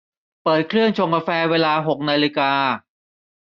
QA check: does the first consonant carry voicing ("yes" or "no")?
no